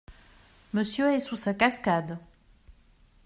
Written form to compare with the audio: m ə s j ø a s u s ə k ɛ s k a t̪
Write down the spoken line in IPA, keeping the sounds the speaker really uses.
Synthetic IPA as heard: m ə s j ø ɛ s u s a k a s k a d̪